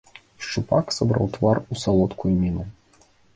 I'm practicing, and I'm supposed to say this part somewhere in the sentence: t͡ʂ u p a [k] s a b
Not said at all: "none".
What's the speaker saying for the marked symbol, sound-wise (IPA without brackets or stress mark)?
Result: k